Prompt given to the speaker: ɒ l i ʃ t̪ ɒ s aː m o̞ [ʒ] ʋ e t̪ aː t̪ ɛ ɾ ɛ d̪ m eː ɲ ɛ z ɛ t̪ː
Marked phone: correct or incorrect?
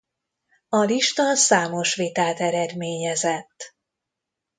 incorrect